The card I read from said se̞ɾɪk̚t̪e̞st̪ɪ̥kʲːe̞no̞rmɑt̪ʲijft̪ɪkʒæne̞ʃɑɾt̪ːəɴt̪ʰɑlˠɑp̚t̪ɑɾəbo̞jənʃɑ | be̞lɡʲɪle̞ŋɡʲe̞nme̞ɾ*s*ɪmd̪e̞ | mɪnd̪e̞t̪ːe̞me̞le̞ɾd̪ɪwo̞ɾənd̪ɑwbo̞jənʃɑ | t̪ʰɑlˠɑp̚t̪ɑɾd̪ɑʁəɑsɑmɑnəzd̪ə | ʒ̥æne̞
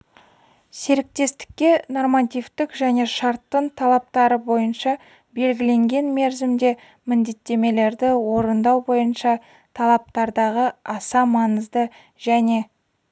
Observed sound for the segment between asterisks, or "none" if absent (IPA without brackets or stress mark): z